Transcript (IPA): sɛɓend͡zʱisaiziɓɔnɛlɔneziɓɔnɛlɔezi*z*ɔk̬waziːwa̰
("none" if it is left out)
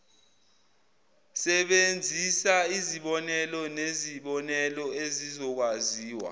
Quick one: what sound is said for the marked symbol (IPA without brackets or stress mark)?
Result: z